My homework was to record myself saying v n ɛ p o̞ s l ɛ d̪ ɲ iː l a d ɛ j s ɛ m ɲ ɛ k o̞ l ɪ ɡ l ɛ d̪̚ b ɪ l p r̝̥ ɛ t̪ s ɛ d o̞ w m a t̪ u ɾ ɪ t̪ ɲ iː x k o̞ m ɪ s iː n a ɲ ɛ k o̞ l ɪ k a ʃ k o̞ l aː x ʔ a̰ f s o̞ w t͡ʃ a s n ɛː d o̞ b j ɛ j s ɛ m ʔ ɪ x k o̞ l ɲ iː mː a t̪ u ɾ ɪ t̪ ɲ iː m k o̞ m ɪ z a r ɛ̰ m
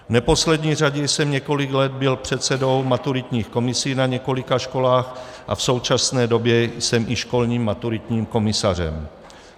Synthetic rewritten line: v n ɛ p o̞ s l ɛ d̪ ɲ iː r a ɟ ɛ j s ɛ m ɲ ɛ k o̞ l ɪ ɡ l ɛ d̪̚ b ɪ l p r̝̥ ɛ t̪ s ɛ d o̞ w m a t̪ u ɾ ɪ t̪ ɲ iː x k o̞ m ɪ s iː n a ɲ ɛ k o̞ l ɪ k a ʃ k o̞ l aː x ʔ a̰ f s o̞ w t͡ʃ a s n ɛː d o̞ b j ɛ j s ɛ m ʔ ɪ ʃ k o̞ l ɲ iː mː a t̪ u ɾ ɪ t̪ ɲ iː m k o̞ m ɪ s a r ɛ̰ m